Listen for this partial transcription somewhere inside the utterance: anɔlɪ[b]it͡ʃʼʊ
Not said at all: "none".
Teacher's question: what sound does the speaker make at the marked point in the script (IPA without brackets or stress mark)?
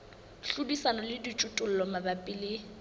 d